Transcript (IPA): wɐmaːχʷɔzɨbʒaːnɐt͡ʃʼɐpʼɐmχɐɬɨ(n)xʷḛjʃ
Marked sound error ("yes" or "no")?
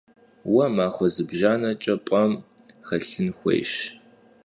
no